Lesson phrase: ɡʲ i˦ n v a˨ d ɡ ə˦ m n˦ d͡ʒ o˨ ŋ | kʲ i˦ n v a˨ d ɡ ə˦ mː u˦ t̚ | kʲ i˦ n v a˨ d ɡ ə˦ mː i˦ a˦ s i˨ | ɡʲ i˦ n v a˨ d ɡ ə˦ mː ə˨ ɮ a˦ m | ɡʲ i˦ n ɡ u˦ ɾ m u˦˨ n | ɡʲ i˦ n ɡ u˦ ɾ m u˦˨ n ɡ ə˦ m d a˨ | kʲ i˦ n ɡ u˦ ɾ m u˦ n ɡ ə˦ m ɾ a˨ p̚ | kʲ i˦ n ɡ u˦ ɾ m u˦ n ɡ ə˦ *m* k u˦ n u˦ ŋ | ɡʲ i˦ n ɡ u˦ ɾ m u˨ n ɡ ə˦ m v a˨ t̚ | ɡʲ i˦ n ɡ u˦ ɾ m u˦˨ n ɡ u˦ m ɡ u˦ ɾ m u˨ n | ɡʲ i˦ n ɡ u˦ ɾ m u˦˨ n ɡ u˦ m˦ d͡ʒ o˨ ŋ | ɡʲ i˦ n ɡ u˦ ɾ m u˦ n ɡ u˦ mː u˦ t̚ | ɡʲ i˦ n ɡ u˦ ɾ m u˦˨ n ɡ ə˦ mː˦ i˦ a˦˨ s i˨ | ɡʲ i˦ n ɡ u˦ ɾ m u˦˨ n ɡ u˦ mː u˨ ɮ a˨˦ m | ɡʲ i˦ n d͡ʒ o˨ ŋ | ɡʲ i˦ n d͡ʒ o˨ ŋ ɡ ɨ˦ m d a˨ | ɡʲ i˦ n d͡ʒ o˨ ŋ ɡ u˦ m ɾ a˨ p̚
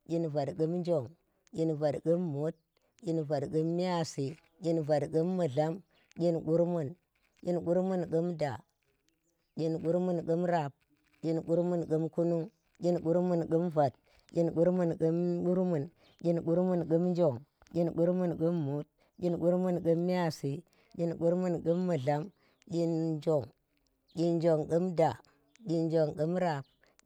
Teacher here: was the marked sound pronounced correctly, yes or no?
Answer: yes